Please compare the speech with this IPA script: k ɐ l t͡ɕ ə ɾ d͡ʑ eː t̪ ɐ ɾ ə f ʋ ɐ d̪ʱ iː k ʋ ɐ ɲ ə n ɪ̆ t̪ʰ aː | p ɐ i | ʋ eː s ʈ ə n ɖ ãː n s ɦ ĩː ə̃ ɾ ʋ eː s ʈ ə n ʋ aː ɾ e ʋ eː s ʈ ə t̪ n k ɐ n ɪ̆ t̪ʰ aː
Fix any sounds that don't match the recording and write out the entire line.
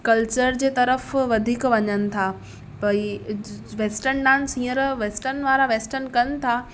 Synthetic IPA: k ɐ l t͡ɕ ə ɾ d͡ʑ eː t̪ ɐ ɾ ə f ʋ ɐ d̪ʱ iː k ʋ ɐ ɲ ə n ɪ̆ t̪ʰ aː | p ɐ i | ʋ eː s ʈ ə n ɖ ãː n s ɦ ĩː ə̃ ɾ ʋ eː s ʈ ə n ʋ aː ɾ a ʋ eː s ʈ ə n k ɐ n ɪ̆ t̪ʰ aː